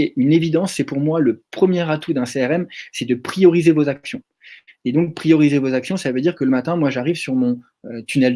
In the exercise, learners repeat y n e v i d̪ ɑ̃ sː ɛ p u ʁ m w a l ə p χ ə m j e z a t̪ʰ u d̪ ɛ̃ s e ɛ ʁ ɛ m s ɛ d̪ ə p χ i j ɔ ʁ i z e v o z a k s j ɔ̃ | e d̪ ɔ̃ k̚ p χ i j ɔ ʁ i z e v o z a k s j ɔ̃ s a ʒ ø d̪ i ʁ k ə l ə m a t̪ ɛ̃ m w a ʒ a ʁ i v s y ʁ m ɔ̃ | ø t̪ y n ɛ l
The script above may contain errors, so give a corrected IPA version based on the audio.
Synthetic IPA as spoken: y n e v i d̪ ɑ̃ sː ɛ p u ʁ m w a l ə p χ ə m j e ʁ a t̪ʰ u d̪ ɛ̃ s e ɛ ʁ ɛ m s ɛ d̪ ə p χ i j ɔ ʁ i z e v o z a k s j ɔ̃ | e d̪ ɔ̃ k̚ p χ i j ɔ ʁ i z e v o z a k s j ɔ̃ s a v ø d̪ i ʁ k ə l ə m a t̪ ɛ̃ m w a ʒ a ʁ i v s y ʁ m ɔ̃ | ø t̪ y n ɛ l